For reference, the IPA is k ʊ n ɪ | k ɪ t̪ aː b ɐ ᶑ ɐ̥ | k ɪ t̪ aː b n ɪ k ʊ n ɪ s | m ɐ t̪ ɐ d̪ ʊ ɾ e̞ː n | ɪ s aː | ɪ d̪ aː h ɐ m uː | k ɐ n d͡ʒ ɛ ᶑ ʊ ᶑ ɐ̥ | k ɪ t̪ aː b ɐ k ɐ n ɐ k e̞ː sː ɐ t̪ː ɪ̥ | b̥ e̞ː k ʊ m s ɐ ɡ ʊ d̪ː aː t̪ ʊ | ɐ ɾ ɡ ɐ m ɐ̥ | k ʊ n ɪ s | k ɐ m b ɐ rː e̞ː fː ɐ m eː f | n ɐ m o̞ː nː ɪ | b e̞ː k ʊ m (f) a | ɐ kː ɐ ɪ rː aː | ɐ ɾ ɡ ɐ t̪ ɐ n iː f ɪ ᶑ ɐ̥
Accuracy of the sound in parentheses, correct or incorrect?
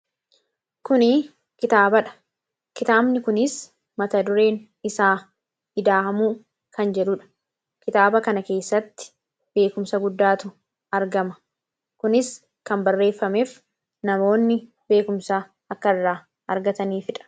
incorrect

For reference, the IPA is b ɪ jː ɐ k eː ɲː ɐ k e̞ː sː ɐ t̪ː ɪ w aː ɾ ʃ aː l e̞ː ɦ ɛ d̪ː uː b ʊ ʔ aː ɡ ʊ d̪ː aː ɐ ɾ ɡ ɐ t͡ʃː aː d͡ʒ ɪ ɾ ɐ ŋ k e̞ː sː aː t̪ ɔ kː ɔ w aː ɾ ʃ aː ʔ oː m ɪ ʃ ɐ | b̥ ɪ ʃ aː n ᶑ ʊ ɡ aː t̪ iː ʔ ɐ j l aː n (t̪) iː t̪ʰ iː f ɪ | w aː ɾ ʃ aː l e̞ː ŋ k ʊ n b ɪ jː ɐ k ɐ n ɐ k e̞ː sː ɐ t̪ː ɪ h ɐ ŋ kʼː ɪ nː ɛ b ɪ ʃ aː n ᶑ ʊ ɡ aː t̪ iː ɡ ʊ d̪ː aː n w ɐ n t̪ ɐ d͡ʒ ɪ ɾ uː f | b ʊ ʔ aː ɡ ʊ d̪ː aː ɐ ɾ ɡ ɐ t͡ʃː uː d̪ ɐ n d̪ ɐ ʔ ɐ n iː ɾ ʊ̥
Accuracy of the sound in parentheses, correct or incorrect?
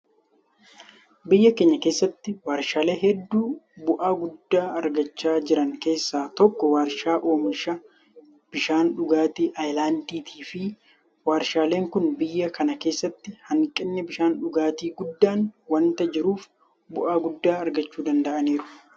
incorrect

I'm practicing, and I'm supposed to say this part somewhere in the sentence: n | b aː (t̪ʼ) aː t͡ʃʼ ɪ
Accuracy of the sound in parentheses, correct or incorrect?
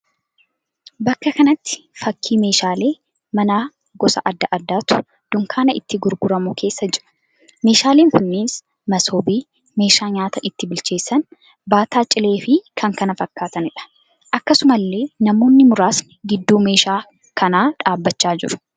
incorrect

